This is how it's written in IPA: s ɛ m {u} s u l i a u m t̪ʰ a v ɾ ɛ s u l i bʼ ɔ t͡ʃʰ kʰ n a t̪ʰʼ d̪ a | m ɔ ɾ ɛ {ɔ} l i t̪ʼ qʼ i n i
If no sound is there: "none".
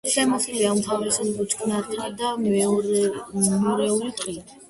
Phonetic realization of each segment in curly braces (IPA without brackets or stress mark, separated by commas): ɔ, u